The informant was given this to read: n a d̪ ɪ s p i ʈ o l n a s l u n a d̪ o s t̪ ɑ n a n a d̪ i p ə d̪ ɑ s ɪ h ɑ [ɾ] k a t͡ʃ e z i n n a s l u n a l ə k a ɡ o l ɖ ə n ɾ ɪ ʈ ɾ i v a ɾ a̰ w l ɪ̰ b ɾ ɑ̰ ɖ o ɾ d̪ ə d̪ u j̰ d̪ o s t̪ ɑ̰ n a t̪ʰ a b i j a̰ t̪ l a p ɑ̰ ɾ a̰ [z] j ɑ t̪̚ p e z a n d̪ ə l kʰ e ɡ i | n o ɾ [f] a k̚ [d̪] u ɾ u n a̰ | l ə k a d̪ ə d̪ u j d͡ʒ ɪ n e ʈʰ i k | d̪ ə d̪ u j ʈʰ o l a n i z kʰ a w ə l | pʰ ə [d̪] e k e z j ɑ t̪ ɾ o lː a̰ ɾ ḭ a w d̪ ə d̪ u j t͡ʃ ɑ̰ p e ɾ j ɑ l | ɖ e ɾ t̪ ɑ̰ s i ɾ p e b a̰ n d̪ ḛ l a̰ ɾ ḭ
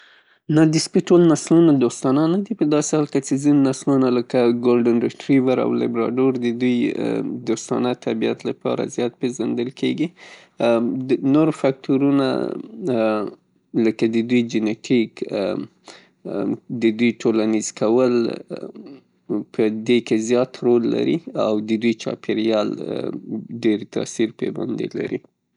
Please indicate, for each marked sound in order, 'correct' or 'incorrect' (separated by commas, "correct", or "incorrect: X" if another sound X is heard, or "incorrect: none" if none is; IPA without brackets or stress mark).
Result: incorrect: l, correct, correct, incorrect: t̪, correct